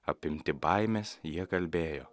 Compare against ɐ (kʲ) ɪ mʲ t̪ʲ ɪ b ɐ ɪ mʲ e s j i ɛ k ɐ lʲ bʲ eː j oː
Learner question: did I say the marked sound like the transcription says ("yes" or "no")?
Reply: no